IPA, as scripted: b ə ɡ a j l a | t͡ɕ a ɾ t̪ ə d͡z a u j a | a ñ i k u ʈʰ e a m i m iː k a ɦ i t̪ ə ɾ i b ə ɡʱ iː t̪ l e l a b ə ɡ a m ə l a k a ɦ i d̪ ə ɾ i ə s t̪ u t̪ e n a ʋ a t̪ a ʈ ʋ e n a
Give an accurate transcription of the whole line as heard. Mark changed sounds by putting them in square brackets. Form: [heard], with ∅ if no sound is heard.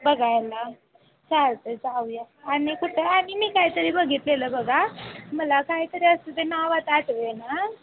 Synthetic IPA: b ə ɡ a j l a | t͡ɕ a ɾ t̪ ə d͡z a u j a | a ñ i k u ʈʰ e a m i m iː k a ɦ i t̪ ə ɾ i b ə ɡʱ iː t̪ l e l [ə] b ə ɡ a m ə l a k a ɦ i [t̪] ə ɾ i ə s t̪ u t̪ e n a ʋ a t̪ a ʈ ʋ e n a